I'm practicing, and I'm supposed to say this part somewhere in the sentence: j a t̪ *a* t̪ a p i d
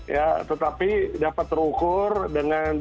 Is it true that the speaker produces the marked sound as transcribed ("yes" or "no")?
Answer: no